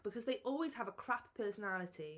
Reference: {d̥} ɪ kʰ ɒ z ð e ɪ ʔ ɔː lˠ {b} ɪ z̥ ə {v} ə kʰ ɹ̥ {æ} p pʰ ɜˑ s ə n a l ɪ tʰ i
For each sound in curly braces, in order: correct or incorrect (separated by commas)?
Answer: incorrect, incorrect, correct, incorrect